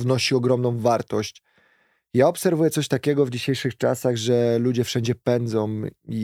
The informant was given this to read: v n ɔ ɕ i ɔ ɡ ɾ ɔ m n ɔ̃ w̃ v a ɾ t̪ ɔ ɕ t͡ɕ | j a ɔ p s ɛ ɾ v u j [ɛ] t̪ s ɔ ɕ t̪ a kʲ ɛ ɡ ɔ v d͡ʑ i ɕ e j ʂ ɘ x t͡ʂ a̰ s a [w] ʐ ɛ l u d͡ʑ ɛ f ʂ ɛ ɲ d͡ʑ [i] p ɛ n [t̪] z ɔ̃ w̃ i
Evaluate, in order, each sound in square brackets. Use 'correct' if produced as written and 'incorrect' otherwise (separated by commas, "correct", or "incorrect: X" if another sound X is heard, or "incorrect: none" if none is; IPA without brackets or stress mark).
correct, incorrect: ɣ, incorrect: ɛ, incorrect: d̪